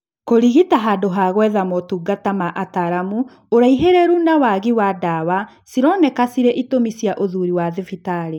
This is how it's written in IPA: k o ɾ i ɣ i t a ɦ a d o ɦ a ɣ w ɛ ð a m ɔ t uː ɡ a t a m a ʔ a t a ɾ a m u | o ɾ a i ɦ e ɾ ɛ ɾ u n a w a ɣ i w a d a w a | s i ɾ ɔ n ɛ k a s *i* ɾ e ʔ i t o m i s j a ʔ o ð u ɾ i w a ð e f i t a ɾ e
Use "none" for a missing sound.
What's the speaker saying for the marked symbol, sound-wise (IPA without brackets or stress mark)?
i